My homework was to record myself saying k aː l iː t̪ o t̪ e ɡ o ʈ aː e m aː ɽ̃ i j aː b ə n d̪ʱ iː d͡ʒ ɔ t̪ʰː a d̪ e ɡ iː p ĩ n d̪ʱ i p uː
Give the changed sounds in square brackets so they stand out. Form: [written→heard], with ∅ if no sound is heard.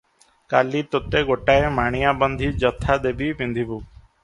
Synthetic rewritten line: k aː l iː t̪ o t̪ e ɡ o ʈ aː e m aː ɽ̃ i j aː b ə n d̪ʱ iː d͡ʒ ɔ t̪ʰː a d̪ e [ɡ→b] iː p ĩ n d̪ʱ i [p→b] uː